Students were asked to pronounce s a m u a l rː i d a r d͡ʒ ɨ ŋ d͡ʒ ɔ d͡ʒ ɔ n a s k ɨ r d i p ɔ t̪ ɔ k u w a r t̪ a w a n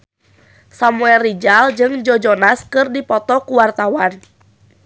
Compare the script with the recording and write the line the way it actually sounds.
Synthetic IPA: s a m u ɛ l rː i d͡ʒ a l d͡ʒ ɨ ŋ d͡ʒ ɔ d͡ʒ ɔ n a s k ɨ r d i p ɔ t̪ ɔ k u w a r t̪ a w a n